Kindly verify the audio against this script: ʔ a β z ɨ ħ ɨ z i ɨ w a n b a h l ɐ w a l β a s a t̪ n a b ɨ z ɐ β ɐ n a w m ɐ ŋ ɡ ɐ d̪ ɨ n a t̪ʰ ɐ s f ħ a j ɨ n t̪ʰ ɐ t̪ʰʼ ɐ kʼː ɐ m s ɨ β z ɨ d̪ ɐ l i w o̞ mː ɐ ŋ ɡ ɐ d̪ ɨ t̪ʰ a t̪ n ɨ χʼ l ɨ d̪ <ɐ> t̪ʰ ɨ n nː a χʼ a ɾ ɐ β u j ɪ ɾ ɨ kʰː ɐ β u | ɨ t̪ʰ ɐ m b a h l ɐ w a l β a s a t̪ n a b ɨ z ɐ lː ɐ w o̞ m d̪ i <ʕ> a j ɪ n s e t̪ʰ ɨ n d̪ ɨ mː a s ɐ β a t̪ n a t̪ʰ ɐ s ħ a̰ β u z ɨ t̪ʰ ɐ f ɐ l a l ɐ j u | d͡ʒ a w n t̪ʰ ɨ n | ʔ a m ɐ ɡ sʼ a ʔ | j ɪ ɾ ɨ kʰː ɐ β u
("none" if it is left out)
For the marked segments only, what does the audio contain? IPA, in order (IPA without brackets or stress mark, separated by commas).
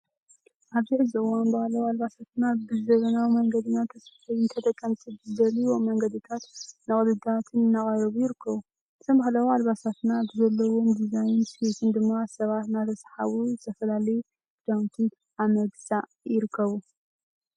a, z